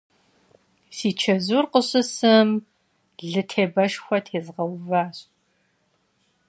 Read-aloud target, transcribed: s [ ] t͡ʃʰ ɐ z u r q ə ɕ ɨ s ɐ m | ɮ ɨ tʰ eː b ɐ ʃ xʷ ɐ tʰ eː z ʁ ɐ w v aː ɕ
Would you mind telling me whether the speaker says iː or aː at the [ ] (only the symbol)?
iː